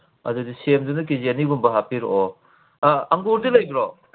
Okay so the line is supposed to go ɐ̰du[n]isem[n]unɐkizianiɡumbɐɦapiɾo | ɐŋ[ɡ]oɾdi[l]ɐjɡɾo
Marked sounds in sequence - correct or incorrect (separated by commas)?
incorrect, incorrect, correct, correct